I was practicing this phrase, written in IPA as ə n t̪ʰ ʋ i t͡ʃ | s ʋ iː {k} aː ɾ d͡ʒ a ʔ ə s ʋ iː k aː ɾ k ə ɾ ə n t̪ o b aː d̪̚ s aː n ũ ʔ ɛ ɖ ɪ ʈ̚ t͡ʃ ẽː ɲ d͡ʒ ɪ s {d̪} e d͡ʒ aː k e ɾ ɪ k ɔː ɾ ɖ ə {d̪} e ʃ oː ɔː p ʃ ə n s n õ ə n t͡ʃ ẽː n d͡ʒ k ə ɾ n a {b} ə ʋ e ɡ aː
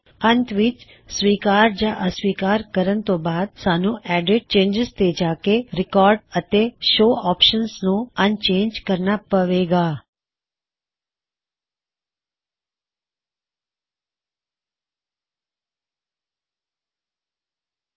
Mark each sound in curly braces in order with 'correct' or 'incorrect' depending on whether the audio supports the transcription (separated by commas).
correct, incorrect, incorrect, incorrect